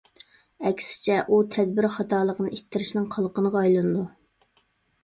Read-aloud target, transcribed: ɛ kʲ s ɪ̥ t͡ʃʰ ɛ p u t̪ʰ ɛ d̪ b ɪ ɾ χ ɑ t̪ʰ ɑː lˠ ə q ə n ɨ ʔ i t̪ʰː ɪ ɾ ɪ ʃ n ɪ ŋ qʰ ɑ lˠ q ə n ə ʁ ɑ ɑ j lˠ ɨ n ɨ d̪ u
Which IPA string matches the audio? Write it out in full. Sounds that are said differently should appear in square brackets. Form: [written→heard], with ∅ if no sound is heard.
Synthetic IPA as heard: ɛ kʲ s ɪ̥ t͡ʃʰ ɛ [p→ʔ] u t̪ʰ ɛ d̪ b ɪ ɾ χ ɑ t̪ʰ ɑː lˠ ə q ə n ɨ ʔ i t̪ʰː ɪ ɾ ɪ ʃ n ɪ ŋ qʰ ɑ lˠ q ə n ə ʁ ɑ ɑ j lˠ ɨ n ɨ d̪ u